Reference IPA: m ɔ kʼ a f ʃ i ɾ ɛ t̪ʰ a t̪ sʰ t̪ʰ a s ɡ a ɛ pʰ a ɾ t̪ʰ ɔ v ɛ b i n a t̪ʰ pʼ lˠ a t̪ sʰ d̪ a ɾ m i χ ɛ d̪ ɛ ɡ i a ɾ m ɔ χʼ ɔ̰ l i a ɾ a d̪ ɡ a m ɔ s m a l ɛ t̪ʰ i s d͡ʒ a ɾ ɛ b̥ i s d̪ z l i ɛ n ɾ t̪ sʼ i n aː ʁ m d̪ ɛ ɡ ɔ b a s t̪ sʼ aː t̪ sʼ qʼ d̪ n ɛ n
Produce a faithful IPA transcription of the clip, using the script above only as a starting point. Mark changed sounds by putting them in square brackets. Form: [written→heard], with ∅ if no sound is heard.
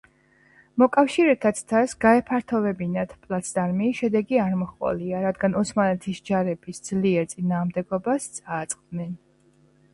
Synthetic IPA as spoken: m ɔ kʼ a f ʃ i ɾ ɛ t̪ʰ a t̪ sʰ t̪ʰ a s ɡ a ɛ pʰ a ɾ t̪ʰ ɔ v ɛ b i n a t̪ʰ pʼ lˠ a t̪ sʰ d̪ a ɾ m i [χ→ʃ] ɛ d̪ ɛ ɡ i a ɾ m ɔ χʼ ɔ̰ l i a ɾ a d̪ ɡ a [m→n] ɔ s m a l ɛ t̪ʰ i s d͡ʒ a ɾ ɛ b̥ i s d̪ z l i ɛ [n→∅] ɾ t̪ sʼ i n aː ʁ m d̪ ɛ ɡ ɔ b a s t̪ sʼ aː t̪ sʼ qʼ d̪ n ɛ n